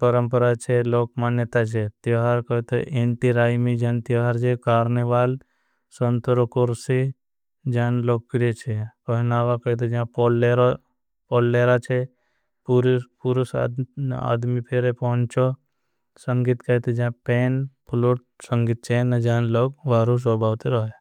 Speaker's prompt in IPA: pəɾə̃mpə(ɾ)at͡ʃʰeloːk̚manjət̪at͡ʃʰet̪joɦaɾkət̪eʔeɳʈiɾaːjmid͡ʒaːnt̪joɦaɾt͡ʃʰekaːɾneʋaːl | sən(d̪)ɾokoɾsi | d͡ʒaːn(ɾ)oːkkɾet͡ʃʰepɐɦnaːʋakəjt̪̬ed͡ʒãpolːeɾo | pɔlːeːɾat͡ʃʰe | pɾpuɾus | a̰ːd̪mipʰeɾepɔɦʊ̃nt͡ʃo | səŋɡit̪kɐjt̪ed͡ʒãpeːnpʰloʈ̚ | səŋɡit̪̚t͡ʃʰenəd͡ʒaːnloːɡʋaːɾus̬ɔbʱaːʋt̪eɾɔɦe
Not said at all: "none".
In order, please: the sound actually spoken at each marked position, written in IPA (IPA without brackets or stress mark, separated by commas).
ɾ, t̪, l